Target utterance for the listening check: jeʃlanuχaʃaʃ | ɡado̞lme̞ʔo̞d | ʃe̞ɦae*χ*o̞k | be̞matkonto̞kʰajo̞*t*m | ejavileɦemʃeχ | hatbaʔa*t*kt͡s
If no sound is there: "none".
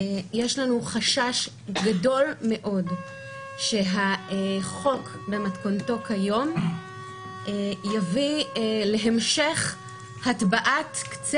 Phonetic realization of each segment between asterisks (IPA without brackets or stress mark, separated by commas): χ, none, t